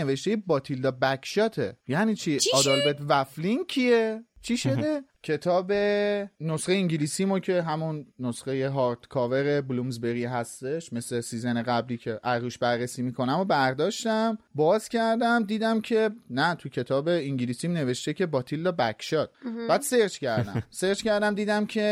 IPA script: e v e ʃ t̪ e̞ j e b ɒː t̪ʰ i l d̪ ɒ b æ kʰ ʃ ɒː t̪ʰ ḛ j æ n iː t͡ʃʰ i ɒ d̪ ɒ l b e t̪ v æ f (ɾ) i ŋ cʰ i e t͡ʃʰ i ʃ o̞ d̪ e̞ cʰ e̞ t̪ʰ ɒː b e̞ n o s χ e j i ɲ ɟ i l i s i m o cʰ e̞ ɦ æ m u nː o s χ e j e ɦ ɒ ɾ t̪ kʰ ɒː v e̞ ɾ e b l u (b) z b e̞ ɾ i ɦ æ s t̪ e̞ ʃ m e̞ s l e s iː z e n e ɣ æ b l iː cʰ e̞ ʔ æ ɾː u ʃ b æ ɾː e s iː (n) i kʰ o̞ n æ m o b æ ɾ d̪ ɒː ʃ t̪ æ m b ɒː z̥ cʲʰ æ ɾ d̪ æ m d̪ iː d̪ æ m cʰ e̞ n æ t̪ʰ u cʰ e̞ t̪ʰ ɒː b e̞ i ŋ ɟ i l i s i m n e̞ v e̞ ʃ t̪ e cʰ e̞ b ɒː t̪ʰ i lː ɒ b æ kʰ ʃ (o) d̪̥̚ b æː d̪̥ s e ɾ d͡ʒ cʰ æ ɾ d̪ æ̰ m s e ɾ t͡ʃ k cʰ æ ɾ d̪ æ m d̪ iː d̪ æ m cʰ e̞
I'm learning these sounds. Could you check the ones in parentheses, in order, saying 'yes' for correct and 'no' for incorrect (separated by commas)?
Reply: no, no, no, no